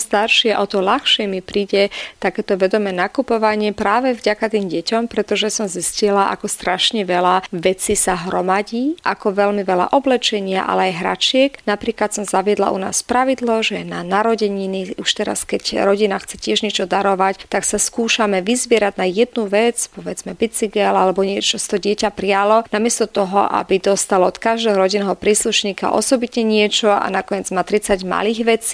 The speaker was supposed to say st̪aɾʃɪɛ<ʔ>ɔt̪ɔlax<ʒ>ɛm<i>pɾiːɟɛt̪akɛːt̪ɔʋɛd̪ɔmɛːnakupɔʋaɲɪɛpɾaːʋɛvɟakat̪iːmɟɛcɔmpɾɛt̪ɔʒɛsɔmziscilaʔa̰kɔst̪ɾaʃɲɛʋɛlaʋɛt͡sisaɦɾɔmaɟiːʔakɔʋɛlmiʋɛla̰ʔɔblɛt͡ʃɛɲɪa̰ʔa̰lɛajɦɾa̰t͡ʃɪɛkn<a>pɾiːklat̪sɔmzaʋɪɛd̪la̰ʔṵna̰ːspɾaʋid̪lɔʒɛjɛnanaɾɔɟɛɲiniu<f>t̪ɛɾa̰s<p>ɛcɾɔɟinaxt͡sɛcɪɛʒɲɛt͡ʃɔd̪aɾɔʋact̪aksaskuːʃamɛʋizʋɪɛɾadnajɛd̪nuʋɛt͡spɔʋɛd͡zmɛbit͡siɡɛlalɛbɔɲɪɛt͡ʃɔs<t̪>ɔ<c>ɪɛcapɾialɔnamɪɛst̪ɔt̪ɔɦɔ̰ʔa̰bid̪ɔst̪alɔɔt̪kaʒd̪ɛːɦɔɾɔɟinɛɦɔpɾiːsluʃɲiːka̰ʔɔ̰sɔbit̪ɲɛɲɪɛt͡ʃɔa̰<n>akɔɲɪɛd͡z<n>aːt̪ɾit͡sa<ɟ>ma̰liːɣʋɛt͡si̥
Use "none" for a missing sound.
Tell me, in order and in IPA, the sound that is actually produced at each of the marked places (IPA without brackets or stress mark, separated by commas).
ʔ, ʃ, i, a, ʃ, k, t̪, ɟ, n, m, ɟ